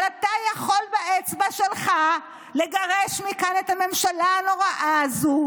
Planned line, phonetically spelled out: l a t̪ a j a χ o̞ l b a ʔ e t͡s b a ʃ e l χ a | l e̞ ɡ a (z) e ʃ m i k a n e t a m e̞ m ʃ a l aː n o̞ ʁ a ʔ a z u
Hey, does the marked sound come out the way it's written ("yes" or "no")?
no